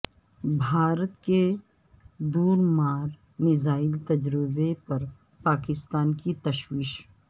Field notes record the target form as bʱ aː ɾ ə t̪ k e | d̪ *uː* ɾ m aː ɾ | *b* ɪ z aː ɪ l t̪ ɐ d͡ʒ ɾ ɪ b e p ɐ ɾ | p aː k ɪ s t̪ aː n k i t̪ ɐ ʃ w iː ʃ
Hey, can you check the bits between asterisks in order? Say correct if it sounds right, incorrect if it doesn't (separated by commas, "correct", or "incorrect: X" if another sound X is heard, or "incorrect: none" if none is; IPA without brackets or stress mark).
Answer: correct, incorrect: m